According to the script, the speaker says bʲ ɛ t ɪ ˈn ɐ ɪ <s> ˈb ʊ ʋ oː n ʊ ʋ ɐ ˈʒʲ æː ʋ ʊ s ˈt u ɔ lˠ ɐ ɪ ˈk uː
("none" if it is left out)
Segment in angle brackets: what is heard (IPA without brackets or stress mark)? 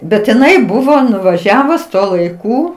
none